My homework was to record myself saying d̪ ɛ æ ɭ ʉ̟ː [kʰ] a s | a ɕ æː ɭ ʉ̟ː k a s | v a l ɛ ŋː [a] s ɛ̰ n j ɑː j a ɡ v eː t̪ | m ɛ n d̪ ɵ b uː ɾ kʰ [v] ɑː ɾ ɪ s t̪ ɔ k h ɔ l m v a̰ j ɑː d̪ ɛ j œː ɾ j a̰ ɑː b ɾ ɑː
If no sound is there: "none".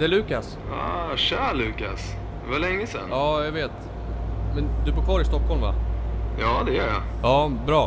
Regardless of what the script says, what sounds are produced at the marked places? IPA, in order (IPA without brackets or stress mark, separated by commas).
k, ə, v